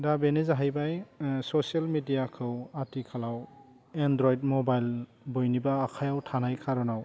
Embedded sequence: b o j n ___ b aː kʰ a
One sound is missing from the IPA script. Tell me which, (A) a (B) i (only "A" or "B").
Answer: B